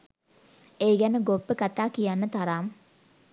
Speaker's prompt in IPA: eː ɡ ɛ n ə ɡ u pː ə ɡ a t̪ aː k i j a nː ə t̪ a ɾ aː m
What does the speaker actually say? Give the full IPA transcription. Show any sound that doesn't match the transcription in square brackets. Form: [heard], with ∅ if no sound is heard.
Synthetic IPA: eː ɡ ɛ n ə ɡ [o] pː ə [k] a t̪ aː k i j a nː ə t̪ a ɾ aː m

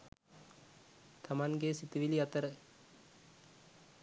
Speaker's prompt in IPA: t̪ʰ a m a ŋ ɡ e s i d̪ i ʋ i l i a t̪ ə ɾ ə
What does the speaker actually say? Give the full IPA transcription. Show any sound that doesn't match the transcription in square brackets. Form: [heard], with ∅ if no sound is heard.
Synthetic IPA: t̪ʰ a m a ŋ ɡ e s i [t̪] i ʋ i l i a t̪ ə ɾ ə

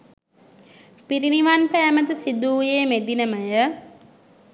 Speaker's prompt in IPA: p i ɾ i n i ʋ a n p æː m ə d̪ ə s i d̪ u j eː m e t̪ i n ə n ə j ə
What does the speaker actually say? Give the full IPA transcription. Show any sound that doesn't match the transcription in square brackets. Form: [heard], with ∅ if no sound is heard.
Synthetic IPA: p i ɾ i n i ʋ a n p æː m ə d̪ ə s i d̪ [uː] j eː m e [d̪] i n ə [m] ə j ə

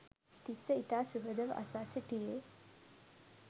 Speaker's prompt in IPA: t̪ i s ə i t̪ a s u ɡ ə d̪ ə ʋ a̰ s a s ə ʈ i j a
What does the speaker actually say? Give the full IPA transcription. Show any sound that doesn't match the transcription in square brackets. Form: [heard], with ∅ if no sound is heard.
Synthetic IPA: t̪ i s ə i t̪ a s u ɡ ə d̪ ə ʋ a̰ s a s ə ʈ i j [e]

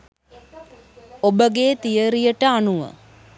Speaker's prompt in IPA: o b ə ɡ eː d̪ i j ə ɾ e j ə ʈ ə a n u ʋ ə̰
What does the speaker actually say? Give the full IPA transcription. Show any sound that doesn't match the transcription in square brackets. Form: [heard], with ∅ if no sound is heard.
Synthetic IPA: o b ə ɡ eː [t̪] i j ə ɾ [i] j ə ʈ ə a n u ʋ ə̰

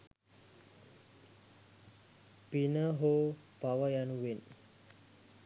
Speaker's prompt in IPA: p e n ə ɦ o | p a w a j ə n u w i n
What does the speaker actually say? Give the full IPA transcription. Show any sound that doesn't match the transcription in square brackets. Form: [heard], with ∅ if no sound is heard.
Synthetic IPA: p [i] n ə ɦ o | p a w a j [a] n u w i n

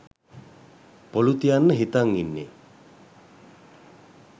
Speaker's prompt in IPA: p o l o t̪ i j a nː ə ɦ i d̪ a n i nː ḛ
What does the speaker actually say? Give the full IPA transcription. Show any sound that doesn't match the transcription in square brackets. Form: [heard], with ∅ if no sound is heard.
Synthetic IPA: p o l [u] t̪ i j a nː ə ɦ i [t̪] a [ŋ] i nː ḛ

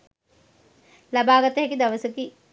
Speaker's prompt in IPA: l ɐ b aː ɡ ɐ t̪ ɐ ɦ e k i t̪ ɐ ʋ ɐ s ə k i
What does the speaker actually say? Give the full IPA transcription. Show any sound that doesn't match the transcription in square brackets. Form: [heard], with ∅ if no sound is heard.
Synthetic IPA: l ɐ b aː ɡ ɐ t̪ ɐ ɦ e k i [d̪] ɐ ʋ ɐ s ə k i

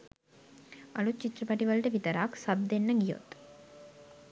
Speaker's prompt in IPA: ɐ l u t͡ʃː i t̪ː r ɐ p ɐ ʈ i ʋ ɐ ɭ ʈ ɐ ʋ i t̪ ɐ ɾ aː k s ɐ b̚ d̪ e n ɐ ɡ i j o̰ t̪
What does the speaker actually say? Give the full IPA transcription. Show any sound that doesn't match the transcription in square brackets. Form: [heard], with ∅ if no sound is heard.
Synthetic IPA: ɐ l u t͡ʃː i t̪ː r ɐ p ɐ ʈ i ʋ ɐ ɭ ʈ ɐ ʋ i t̪ ɐ ɾ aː k s ɐ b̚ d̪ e [nː] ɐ ɡ i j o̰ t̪

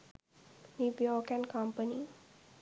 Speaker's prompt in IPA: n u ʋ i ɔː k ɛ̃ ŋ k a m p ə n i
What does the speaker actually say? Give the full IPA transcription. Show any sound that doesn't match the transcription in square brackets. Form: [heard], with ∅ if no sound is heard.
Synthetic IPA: n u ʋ [j] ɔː k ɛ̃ [n] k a m p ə n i

